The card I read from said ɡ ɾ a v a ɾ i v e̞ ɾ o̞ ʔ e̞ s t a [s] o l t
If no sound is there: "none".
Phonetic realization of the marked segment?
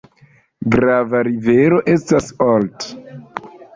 s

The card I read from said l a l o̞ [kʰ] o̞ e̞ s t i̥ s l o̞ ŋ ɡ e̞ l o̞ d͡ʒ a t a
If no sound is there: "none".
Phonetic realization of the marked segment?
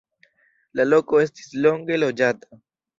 k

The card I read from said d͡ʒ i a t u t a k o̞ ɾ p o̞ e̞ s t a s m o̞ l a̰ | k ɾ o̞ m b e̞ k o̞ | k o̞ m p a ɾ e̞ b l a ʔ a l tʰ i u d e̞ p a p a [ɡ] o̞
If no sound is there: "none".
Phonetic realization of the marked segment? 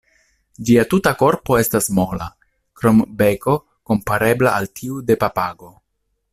ɡ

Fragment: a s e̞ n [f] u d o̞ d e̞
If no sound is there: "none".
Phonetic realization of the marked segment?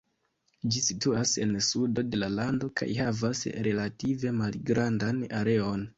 s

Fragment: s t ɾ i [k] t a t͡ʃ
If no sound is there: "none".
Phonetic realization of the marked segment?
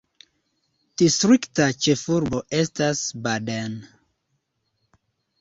k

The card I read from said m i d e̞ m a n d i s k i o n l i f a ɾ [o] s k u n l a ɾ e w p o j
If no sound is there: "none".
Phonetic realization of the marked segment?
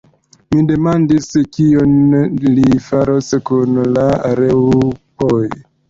o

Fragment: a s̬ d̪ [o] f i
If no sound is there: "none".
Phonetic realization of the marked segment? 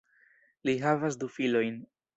u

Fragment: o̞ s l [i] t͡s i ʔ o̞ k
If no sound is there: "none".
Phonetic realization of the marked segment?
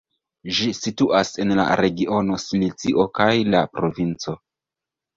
i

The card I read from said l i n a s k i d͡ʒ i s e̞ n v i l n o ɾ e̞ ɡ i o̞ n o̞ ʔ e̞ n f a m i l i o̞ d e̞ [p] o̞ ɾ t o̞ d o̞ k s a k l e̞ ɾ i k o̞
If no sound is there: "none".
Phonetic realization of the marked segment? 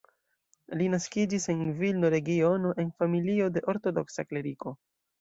ʔ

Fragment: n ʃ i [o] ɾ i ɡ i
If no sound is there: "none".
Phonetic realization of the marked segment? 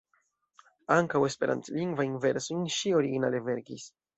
o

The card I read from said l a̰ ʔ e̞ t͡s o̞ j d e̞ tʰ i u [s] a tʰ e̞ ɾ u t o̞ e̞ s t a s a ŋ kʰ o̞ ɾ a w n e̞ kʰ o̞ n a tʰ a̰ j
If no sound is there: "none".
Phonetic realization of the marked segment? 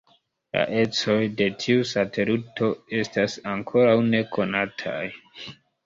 s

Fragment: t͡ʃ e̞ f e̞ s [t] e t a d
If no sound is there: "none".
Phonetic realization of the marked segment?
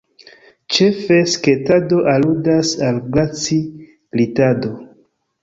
k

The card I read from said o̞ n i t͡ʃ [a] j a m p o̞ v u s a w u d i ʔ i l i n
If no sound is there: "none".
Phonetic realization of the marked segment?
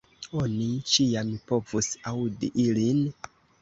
i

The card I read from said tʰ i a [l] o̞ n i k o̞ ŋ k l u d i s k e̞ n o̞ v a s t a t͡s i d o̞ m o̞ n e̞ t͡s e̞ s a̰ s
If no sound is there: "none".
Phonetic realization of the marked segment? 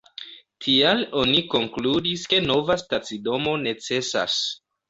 l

